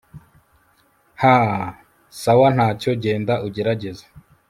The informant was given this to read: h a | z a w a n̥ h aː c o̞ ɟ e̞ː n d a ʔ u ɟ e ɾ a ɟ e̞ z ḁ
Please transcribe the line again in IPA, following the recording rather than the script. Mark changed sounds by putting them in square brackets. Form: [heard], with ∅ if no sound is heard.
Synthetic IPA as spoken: h a | [s] a w a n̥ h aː c o̞ ɟ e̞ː n d a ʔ u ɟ e ɾ a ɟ e̞ z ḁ